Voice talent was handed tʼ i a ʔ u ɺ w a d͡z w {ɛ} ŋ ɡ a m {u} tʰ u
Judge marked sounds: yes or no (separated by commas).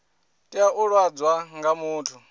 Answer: no, no